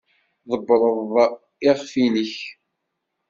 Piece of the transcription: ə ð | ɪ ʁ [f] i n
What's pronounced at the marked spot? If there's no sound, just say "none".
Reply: f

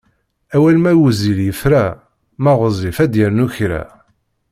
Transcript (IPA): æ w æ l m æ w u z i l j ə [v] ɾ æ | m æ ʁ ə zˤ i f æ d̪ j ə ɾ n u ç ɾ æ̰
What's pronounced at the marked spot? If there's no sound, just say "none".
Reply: f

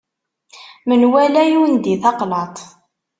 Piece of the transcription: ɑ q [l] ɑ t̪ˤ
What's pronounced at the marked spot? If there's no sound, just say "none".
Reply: l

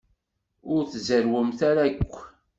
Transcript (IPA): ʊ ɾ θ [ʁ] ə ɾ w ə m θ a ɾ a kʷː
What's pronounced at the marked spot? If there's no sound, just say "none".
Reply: z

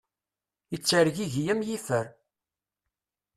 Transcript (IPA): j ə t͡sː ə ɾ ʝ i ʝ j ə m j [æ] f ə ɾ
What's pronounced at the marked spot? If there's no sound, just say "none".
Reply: i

